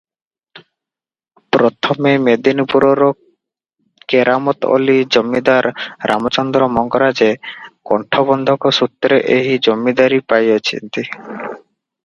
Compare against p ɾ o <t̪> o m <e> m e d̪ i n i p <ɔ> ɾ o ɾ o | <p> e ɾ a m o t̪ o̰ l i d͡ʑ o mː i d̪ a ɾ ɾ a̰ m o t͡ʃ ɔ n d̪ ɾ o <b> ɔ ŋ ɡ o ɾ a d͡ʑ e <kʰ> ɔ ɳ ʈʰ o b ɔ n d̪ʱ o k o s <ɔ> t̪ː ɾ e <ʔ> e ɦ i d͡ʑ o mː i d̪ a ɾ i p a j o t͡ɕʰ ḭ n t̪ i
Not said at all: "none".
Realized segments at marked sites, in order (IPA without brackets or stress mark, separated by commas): t̪ʰ, e, u, k, m, k, u, ʔ